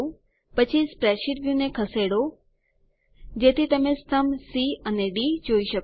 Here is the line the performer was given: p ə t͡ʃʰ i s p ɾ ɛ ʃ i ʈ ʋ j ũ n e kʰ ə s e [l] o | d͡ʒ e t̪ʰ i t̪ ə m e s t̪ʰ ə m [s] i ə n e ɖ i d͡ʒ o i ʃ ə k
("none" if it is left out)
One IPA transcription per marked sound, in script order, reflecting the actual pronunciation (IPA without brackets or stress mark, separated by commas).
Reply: ɽ, s